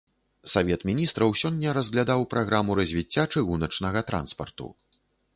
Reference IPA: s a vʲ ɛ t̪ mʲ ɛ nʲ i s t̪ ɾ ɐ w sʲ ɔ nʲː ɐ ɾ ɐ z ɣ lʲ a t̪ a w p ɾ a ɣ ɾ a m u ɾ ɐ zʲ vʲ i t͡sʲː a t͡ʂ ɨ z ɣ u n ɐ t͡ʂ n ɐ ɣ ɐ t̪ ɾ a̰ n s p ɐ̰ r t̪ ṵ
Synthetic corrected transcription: s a vʲ ɛ t̪ mʲ i nʲ i s t̪ ɾ ɐ w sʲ ɔ nʲː ɐ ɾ ɐ z ɣ lʲ a d̪ a w p ɾ a ɣ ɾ a m u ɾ ɐ zʲ vʲ i t͡sʲː a t͡ʂ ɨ ɣ u n ɐ t͡ʂ n ɐ ɣ ɐ t̪ ɾ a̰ n s p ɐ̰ r t̪ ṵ